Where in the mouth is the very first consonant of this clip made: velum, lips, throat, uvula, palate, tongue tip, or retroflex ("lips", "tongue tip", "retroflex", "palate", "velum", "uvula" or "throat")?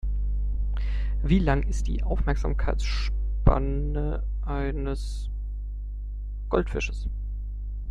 lips